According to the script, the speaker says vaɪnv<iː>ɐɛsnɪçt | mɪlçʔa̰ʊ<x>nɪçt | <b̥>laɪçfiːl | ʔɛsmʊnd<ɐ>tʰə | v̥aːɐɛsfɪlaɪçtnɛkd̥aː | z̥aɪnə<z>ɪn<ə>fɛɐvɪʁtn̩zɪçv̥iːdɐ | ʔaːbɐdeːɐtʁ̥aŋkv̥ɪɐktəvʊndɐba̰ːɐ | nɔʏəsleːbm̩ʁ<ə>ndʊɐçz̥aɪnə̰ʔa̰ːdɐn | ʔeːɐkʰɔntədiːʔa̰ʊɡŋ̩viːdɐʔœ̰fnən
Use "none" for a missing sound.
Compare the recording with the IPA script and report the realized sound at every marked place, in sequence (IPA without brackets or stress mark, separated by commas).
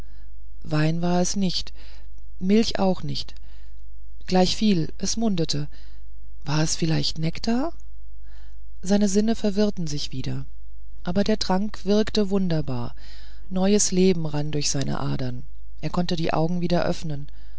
aː, x, ɡ̥, ə, z, ə, a